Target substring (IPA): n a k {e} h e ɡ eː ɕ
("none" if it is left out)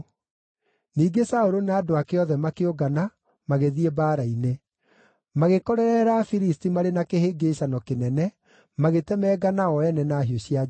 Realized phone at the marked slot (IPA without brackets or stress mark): e